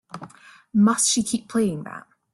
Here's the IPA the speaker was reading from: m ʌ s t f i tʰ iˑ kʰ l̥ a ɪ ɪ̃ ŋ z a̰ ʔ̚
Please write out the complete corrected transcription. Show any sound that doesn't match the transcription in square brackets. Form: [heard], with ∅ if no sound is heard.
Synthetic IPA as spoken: m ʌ s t [ʃ] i [kʰ] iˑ [pʰ] l̥ [e] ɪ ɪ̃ ŋ [ð] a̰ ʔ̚